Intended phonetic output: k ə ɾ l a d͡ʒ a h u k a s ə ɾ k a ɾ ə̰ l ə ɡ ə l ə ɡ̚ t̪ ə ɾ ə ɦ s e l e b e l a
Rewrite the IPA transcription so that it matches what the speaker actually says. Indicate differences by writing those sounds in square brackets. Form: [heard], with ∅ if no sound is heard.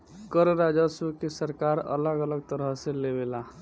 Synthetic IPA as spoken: k ə ɾ [ɾ] a d͡ʒ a [s] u k [e] s ə ɾ k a ɾ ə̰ l ə ɡ ə l ə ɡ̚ t̪ ə ɾ ə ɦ s e l e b e l a